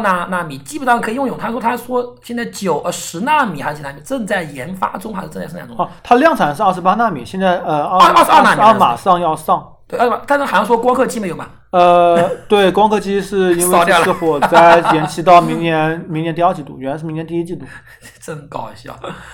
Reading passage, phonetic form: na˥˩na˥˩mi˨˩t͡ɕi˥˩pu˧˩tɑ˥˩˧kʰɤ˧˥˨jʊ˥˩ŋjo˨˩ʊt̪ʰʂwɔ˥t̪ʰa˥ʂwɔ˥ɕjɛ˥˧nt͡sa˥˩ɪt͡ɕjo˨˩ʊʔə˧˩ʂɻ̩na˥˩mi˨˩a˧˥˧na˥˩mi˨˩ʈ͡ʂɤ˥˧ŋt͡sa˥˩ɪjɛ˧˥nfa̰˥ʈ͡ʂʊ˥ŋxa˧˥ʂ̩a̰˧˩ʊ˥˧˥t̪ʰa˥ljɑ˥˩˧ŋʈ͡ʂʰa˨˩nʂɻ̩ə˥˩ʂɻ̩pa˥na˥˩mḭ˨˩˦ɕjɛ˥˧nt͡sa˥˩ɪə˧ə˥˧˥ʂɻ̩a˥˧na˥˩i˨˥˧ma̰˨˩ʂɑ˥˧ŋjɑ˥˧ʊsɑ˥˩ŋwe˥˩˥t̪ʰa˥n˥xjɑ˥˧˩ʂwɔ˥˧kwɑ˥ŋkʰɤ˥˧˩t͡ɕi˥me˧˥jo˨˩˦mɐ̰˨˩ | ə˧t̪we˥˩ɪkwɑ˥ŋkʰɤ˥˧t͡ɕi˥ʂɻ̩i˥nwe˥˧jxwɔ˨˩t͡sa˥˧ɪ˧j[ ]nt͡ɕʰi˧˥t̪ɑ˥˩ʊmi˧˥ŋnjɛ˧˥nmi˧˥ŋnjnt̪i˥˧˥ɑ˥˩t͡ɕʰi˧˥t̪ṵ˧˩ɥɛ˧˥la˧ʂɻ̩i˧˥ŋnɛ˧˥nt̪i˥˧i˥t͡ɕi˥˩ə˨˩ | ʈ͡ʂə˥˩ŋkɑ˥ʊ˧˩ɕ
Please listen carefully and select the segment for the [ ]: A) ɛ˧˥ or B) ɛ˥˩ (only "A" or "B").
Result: A